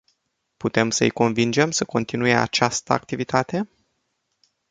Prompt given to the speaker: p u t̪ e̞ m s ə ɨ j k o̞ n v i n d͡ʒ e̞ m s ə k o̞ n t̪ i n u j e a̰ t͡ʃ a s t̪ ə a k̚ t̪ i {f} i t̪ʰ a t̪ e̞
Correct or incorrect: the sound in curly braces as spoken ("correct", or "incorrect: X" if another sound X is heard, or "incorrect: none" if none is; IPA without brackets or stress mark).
incorrect: v